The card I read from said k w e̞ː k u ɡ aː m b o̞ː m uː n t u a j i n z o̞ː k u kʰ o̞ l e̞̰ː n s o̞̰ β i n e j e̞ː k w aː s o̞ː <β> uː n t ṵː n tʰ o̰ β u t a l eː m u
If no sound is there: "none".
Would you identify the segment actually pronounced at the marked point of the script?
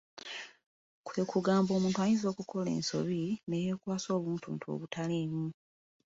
β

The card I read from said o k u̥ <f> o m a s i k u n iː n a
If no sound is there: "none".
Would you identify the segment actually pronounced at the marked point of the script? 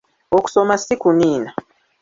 s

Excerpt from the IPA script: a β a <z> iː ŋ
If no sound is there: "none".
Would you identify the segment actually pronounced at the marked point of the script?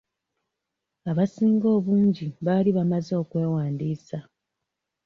s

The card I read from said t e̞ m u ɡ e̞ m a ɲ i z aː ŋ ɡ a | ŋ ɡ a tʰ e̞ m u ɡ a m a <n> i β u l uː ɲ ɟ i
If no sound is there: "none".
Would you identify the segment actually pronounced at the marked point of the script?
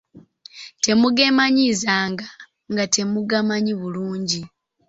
ɲ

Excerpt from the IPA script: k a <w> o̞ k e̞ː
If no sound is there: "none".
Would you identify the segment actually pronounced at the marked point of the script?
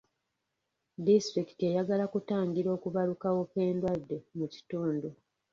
w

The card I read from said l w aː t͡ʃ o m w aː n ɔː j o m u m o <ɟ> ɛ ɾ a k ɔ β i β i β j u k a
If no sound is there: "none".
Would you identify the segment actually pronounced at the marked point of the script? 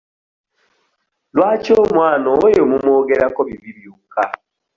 ɡ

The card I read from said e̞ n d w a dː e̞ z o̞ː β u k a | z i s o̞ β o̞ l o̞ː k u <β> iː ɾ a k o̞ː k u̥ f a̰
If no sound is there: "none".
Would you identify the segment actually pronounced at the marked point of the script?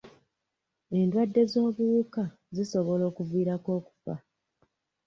v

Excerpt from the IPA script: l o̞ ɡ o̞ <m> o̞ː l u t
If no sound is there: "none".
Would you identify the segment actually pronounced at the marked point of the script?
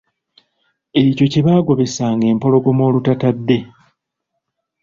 m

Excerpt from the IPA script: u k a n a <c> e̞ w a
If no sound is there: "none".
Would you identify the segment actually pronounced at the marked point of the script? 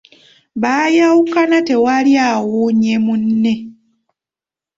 t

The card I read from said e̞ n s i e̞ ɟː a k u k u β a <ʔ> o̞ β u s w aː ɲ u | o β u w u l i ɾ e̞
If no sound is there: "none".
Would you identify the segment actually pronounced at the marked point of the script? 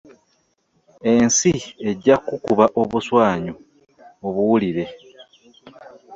ʔ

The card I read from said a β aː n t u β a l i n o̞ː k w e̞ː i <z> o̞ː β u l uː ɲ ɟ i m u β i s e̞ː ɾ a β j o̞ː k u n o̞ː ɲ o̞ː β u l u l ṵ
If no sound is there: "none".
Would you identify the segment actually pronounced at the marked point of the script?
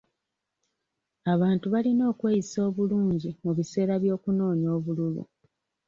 s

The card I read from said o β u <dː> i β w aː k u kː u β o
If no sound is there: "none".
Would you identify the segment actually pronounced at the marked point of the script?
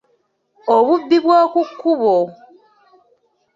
bː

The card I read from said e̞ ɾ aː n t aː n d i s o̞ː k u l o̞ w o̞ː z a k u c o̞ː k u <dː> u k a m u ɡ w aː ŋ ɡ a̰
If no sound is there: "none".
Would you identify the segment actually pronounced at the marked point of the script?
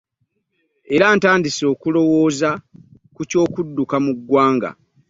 dː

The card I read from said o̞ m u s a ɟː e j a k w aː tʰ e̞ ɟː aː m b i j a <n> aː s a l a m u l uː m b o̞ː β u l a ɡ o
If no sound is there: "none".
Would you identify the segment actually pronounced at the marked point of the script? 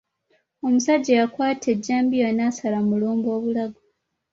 n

